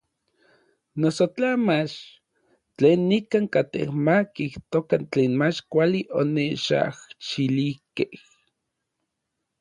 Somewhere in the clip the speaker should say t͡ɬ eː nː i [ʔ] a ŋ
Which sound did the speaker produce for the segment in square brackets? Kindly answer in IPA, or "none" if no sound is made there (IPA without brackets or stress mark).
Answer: k